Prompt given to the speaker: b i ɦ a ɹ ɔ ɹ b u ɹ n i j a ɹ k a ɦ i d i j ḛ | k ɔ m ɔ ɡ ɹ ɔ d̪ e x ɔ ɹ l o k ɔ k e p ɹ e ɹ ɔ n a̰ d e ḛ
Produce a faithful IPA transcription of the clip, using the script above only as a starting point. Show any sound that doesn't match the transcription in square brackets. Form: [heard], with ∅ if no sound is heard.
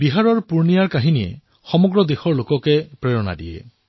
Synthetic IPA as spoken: b i ɦ a ɹ ɔ ɹ [p] u ɹ n i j a ɹ k a ɦ i [n] i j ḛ | [x] ɔ m ɔ ɡ ɹ ɔ d̪ e x ɔ ɹ l o k ɔ k e p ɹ e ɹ ɔ n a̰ d [i] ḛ